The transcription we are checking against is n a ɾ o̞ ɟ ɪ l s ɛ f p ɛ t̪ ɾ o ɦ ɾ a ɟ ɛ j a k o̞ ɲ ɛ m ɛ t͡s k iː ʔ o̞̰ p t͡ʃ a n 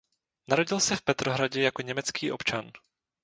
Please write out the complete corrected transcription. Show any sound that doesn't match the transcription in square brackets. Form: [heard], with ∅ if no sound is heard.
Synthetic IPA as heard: n a ɾ o̞ ɟ ɪ l s ɛ f p ɛ t̪ ɾ o ɦ ɾ a ɟ ɛ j a k o̞ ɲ ɛ m ɛ t͡s k iː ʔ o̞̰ p t͡ʃ a n